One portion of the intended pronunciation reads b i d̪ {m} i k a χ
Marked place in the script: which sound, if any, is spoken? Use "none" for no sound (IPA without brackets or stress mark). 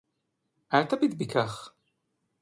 b